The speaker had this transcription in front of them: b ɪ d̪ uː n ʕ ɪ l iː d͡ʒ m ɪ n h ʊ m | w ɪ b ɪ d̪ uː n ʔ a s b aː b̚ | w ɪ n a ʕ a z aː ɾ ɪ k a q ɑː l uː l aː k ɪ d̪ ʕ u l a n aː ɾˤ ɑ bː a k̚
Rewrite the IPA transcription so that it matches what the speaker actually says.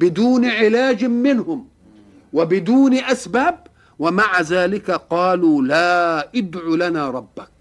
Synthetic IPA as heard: b ɪ d̪ uː n ʕ ɪ l aː d͡ʒ m ɪ n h ʊ m | w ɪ b ɪ d̪ uː n ʔ a s b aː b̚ | w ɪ m a ʕ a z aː l ɪ k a q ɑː l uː l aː ʔ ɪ d̪ ʕ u l a n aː ɾˤ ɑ bː a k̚